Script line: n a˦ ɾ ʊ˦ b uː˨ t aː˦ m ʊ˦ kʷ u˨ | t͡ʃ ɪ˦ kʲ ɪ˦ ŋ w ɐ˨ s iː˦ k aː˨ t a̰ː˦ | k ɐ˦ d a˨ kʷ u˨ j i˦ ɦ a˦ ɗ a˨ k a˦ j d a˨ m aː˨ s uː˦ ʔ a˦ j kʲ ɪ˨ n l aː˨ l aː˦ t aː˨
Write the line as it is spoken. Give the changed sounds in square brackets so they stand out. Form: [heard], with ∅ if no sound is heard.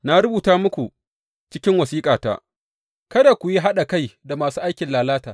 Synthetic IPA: n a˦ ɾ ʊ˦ b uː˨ t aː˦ m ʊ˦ kʷ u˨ | t͡ʃ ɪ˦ kʲ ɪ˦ ŋ w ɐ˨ s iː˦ [kʼ] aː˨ t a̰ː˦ | k ɐ˦ d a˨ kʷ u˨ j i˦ ɦ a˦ ɗ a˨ k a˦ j d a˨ m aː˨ s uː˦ ʔ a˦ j kʲ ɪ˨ n l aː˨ l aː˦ t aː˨